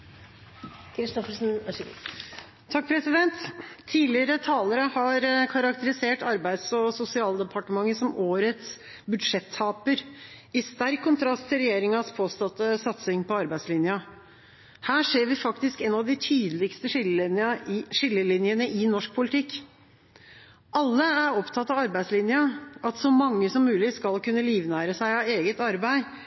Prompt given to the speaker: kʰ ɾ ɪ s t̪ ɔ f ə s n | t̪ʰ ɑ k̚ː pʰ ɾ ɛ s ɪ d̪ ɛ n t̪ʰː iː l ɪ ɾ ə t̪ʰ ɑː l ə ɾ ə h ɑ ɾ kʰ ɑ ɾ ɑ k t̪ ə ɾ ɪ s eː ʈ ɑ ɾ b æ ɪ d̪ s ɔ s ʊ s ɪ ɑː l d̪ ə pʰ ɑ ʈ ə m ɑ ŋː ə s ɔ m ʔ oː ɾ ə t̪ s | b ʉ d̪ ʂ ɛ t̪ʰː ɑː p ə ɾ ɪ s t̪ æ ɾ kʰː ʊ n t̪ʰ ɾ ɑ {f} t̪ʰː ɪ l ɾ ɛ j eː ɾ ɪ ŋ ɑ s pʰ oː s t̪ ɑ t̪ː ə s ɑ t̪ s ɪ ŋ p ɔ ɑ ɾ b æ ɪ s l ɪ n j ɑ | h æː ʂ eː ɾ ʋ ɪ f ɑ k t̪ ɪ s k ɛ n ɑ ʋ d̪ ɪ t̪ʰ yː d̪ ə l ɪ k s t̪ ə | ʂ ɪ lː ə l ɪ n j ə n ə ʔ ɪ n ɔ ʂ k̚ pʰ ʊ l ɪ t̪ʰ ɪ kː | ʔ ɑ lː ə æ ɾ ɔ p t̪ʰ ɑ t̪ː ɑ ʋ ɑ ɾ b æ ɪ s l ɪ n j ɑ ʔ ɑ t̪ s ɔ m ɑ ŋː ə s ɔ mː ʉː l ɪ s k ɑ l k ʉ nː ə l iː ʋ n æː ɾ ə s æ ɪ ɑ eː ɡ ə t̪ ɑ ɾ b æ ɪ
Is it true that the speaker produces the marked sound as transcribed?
no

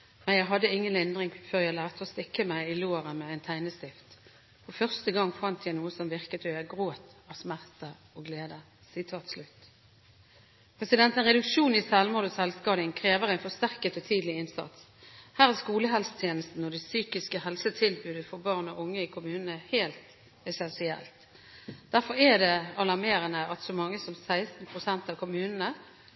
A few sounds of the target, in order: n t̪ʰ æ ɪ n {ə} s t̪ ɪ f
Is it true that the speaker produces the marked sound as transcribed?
yes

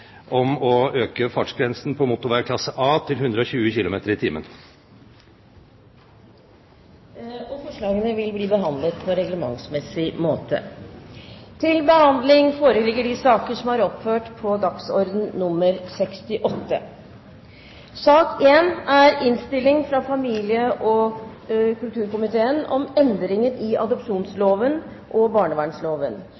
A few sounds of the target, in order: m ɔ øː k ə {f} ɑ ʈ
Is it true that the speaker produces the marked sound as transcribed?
yes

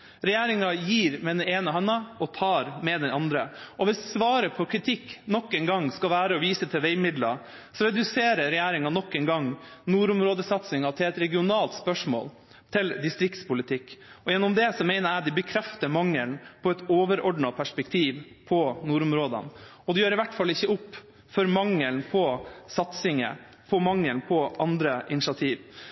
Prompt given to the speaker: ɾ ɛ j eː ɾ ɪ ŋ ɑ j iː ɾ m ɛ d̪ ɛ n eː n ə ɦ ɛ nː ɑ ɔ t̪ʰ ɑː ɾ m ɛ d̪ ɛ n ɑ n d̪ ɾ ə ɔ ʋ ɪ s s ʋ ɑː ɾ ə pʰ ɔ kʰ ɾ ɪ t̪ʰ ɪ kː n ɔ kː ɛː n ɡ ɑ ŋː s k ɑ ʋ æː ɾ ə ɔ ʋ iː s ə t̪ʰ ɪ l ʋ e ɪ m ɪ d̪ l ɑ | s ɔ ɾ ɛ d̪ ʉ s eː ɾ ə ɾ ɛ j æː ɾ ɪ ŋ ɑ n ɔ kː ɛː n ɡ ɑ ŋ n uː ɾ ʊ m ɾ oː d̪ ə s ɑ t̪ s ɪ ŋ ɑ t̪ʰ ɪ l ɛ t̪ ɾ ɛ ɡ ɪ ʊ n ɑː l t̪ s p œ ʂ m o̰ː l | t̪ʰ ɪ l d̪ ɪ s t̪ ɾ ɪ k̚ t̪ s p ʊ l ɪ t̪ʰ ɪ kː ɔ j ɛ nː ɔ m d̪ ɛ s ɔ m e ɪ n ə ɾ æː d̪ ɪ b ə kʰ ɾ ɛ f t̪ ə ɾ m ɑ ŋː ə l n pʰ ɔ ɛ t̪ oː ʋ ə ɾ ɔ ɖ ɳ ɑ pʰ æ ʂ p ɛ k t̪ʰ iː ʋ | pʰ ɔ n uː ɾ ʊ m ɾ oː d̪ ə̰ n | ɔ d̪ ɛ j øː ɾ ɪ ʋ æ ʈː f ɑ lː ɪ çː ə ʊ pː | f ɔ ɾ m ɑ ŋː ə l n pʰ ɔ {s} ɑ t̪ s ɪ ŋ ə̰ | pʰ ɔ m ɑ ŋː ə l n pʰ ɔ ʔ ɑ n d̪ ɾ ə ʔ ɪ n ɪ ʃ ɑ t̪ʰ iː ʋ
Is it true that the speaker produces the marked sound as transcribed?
yes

